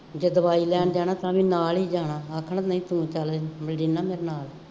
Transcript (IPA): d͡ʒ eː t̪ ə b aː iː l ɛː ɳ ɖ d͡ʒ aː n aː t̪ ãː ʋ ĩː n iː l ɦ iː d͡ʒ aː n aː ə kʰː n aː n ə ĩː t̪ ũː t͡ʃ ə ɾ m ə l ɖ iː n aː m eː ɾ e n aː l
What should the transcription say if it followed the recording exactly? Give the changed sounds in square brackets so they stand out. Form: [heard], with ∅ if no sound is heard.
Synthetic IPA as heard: d͡ʒ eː [d̪] ə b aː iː l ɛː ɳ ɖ d͡ʒ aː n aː t̪ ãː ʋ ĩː n [aː] l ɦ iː d͡ʒ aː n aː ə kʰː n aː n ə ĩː t̪ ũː t͡ʃ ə [l] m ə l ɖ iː n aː m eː ɾ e n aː l